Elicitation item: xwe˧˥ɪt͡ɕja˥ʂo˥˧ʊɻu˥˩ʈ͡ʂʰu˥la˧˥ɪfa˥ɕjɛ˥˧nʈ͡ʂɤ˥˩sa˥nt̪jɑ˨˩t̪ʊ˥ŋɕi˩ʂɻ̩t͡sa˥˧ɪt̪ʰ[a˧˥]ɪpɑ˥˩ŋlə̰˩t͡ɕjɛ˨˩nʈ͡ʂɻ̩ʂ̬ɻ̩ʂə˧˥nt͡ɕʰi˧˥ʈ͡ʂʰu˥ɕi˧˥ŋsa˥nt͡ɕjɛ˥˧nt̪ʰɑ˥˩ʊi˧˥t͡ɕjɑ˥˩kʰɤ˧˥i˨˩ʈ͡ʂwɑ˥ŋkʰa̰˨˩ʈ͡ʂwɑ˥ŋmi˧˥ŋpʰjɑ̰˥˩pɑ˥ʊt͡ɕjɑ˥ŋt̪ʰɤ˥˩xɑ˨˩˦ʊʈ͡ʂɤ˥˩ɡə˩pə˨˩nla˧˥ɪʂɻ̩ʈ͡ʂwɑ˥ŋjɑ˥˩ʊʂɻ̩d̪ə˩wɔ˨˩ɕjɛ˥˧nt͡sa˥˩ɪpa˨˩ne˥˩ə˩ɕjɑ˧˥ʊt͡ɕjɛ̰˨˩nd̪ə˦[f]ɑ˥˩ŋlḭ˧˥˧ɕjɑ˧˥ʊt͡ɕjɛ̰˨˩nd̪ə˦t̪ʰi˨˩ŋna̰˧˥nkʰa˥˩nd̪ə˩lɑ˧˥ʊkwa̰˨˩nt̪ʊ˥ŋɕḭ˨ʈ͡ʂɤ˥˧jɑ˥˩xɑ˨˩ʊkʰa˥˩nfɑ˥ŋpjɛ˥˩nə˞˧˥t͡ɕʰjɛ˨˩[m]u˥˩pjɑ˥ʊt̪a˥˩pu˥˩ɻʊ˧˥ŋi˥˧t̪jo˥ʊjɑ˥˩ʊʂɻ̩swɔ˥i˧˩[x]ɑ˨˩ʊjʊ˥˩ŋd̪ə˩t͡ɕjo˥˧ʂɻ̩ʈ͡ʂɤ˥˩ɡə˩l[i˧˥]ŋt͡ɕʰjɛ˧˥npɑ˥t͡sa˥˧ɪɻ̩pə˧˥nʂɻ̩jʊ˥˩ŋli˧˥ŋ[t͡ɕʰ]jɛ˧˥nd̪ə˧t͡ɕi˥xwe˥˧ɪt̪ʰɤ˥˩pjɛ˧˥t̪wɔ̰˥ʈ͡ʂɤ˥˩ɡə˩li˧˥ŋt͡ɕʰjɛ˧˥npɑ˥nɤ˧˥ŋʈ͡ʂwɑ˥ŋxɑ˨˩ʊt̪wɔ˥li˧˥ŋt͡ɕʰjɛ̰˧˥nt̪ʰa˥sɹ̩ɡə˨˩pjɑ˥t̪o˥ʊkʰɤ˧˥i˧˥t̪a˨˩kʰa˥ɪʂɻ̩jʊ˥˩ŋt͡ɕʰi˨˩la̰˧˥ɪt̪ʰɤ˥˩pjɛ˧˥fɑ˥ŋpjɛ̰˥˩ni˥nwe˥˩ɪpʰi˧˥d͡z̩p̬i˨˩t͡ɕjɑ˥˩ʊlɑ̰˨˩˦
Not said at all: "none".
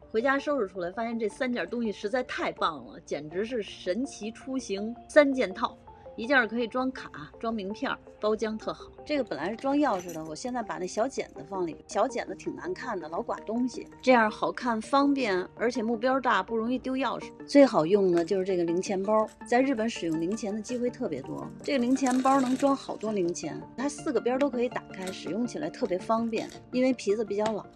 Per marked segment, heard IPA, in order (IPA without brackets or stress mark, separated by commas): a˥˧, f, m, x, i˧˥, t͡ɕʰ